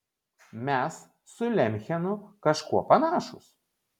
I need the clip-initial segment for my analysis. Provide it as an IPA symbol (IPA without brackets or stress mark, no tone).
mʲ